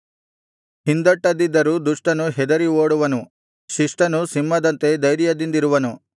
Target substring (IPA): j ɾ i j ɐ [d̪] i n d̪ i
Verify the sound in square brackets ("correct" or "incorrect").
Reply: correct